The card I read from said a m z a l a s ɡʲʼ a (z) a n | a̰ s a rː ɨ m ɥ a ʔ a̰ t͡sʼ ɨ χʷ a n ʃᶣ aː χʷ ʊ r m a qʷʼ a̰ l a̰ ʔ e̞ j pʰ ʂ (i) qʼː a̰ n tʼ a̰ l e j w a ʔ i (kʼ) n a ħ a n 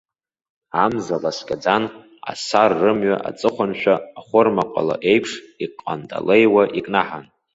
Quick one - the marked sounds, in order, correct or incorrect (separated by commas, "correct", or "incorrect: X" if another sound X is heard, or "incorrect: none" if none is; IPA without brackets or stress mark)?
incorrect: d͡z, correct, correct